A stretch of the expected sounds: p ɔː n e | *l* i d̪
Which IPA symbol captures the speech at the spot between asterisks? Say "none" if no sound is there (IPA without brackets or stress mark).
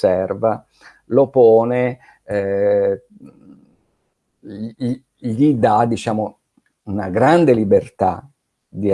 ʎ